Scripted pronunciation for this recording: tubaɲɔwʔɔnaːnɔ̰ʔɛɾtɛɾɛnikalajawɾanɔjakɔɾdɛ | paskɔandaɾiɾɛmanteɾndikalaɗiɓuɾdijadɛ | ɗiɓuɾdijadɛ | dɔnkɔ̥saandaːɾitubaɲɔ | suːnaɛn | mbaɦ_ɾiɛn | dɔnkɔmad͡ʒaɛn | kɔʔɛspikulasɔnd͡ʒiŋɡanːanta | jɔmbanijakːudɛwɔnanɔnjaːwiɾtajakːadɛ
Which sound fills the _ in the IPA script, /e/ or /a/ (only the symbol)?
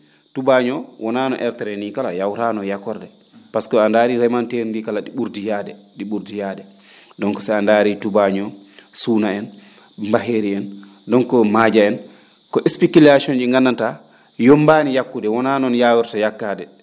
e